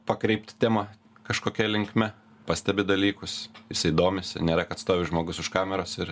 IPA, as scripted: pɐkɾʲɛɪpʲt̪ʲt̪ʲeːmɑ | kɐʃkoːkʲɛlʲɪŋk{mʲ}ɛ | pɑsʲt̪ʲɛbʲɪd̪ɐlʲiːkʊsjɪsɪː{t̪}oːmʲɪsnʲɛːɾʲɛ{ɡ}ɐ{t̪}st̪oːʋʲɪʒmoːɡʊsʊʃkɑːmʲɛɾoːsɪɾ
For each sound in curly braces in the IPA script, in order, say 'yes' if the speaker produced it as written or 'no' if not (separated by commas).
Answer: yes, no, no, yes